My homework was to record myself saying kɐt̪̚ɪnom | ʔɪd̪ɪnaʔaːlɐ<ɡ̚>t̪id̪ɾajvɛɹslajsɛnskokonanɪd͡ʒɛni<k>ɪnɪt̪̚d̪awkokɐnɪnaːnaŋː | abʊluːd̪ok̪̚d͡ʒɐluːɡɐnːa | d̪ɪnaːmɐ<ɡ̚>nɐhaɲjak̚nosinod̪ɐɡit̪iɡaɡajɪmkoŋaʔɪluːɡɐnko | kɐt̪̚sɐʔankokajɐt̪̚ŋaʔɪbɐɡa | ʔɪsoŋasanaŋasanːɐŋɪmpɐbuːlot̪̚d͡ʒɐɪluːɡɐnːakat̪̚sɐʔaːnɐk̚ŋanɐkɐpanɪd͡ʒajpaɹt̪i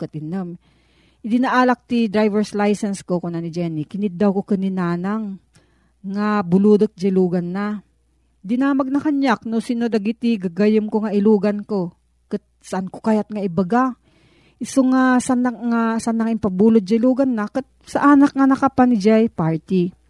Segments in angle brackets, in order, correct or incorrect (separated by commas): incorrect, correct, correct